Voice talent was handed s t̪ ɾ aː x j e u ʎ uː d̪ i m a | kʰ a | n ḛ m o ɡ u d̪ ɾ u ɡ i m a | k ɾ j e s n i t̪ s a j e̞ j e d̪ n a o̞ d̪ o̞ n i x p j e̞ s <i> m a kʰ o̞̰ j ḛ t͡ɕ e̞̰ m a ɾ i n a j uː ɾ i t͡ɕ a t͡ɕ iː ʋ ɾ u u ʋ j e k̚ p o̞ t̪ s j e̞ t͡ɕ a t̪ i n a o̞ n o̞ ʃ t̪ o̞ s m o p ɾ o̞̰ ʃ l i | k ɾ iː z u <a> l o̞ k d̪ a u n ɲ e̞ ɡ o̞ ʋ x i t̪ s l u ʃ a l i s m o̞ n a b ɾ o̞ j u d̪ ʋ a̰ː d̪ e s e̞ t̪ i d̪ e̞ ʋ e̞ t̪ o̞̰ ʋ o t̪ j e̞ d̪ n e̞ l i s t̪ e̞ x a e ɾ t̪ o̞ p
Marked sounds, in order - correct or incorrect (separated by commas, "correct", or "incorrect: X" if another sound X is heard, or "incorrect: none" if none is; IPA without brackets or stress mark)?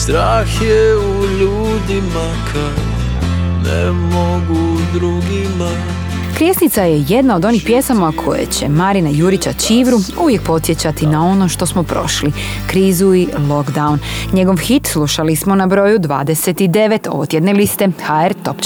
incorrect: a, incorrect: i